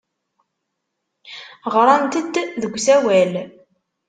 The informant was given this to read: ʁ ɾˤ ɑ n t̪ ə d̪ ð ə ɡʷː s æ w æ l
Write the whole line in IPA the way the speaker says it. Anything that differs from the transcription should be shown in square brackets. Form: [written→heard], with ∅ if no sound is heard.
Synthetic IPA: ʁ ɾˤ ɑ n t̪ ə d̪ ð ə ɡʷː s æ w æ l